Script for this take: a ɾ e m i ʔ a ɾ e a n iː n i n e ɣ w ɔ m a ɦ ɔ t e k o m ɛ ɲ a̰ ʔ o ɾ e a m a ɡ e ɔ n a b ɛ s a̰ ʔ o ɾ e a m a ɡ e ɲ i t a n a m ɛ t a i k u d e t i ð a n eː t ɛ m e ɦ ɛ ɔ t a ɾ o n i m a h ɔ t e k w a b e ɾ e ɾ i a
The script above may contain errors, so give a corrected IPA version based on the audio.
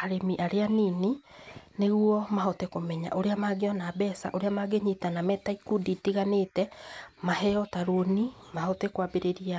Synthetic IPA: a ɾ e m i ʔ a ɾ e a n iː n i n e ɣ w ɔ m a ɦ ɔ t e k o m ɛ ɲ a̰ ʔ o ɾ e a m a ɡ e ɔ n a b ɛ s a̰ ʔ o ɾ e a m a ɡ e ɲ i t a n a m ɛ t a i k u d i t i ɣ a n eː t ɛ m a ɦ ɛ ɔ t a ɾ o n i m a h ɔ t e k w a b e ɾ e ɾ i a

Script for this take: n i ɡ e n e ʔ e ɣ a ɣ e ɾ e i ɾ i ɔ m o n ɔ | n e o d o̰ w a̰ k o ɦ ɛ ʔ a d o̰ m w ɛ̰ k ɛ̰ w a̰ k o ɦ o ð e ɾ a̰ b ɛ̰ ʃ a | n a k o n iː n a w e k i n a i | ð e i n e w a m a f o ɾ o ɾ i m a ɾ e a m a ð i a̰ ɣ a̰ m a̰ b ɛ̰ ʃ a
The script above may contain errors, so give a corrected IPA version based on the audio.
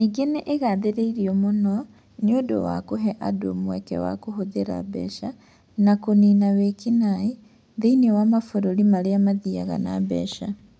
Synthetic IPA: n i ɡ e n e ʔ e ɣ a ð e ɾ e i ɾ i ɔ m o n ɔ | n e o d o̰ w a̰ k o ɦ ɛ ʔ a d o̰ m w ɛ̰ k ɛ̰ w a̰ k o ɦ o ð e ɾ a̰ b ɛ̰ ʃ a | n a k o n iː n a w e k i n a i | ð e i n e w a m a f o ɾ o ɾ i m a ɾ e a m a ð i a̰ ɣ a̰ n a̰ b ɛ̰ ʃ a

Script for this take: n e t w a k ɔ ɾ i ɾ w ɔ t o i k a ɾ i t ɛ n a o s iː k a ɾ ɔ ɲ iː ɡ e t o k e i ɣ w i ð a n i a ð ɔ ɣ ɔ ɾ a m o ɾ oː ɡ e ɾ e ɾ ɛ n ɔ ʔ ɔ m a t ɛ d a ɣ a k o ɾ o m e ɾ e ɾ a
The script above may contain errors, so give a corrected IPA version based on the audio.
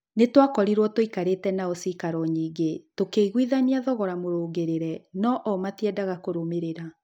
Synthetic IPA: n e t w a k ɔ ɾ i ɾ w ɔ t o i k a ɾ e t ɛ n a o s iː k a ɾ ɔ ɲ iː ɡ e t o k e i ɣ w i ð a n i a ð ɔ ɣ ɔ ɾ a m o ɾ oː ɡ e ɾ e ɾ ɛ n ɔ ʔ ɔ m a t ɛ d a ɣ a k o ɾ o m e ɾ e ɾ a

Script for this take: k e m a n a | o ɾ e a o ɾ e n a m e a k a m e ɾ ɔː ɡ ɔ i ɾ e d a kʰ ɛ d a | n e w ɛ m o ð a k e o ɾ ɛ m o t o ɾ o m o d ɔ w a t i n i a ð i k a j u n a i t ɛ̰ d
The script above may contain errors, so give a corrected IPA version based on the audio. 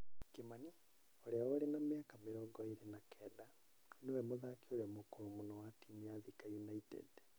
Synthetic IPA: k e m a n i | o ɾ e a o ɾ e n a m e a k a m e ɾ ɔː ɡ ɔ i ɾ e n a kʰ ɛ d a | n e w ɛ m o ð a k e o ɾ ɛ m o k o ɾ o m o n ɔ w a t i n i a ð i k a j u n a i t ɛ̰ d

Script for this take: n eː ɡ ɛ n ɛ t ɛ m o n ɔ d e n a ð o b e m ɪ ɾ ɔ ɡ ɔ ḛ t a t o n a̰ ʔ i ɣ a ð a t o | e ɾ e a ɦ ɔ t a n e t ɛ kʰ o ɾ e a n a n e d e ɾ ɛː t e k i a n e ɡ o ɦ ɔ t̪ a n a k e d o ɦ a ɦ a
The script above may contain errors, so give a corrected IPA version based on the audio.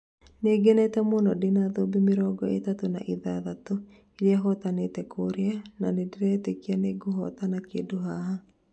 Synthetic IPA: n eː ɡ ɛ n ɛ t ɛ m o n ɔ d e n a ð o b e m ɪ ɾ ɔ ɡ ɔ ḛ t a t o n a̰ ʔ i ð a ð a t o | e ɾ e a ɦ ɔ t a n e t ɛ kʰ o ɾ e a n a n e d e ɾ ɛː t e k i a n e ɡ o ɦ ɔ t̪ a n a k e d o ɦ a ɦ a

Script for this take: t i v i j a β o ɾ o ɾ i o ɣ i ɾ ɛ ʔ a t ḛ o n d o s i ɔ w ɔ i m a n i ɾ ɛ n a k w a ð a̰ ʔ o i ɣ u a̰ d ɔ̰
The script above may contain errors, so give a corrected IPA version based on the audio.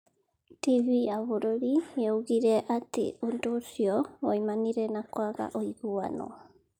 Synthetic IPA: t i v i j a β o ɾ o ɾ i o ɣ i ɾ ɛ ʔ a t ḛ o n d o s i ɔ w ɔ i m a n i ɾ ɛ n a k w a ɣ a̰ ʔ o i ɣ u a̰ n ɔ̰

